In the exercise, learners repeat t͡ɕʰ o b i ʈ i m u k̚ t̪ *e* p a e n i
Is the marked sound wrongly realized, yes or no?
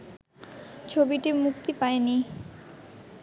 yes